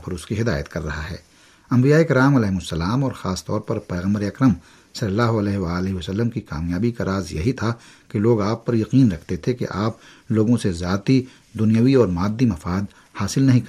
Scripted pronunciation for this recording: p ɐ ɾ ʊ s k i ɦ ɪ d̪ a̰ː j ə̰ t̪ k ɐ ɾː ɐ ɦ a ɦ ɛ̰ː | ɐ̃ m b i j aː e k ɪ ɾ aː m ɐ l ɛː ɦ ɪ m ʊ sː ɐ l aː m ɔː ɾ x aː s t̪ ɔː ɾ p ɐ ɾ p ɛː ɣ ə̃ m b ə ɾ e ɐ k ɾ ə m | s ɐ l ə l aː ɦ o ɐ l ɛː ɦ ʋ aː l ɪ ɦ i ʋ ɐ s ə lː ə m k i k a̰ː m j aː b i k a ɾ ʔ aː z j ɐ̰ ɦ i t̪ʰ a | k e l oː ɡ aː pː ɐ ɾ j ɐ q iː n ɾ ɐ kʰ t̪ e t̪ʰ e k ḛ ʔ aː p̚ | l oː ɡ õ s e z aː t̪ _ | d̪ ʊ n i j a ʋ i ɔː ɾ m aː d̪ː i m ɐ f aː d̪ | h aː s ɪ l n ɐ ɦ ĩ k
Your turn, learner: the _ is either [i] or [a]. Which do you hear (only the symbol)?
i